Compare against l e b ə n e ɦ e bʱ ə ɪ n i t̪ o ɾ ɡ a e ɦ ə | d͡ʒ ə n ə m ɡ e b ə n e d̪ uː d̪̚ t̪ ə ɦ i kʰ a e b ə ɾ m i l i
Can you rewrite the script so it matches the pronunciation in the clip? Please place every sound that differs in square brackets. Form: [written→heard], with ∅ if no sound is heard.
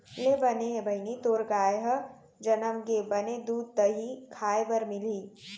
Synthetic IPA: l e b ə n e ɦ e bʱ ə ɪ n i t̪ o ɾ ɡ a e ɦ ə | d͡ʒ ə n ə m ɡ e b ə n e d̪ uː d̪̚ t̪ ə ɦ i kʰ a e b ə ɾ m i l i